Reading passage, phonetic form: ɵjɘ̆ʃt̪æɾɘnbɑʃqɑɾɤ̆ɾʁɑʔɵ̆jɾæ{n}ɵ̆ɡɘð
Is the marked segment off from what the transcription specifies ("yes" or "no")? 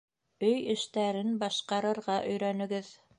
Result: no